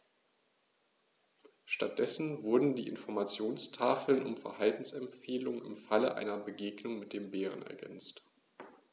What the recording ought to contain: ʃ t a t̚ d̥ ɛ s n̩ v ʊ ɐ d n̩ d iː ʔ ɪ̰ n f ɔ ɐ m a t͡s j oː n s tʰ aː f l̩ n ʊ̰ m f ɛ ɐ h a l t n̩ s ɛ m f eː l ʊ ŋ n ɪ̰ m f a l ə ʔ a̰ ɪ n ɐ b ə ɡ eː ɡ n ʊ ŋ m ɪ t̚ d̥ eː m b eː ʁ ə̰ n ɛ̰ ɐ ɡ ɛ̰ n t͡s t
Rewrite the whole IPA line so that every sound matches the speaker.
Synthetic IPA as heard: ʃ t a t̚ d̥ ɛ s n̩ v ʊ ɐ d n̩ d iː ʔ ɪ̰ n f ɔ ɐ m a t͡s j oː n s tʰ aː f l̩ n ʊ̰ m f ɛ ɐ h a l t n̩ s ɛ m f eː l ʊ ŋ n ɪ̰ m f a l ə ʔ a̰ ɪ n ɐ b ə ɡ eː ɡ n ʊ ŋ m ɪ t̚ d̥ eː m b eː ʁ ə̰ n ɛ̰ ɐ ɡ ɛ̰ n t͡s t